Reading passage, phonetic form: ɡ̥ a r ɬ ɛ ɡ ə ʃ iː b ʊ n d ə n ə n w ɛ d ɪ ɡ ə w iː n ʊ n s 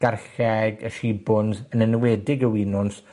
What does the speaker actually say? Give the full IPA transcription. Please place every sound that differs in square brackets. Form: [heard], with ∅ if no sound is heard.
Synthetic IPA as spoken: ɡ̥ a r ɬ ɛ ɡ ə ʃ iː b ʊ n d ə n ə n w ɛ d ɪ ɡ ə w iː n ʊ n s